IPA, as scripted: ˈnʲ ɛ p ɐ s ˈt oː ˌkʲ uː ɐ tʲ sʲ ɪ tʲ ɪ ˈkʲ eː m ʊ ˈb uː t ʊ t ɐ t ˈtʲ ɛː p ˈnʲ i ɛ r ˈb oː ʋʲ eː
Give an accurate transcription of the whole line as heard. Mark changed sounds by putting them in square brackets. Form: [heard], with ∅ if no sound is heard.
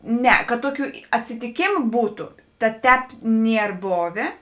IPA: ˈnʲ ɛ [k] ɐ [t] ˈt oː ˌkʲ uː ɐ tʲ sʲ ɪ tʲ ɪ ˈkʲ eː m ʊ ˈb uː t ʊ t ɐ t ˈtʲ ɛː p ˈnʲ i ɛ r ˈb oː ʋʲ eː